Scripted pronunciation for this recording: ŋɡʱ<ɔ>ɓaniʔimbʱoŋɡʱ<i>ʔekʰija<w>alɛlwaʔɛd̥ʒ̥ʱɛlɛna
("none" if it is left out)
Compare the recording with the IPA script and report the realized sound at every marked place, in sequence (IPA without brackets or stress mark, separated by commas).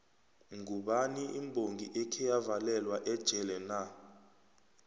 u, i, v